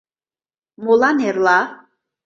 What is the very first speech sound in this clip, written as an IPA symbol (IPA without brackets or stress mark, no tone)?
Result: m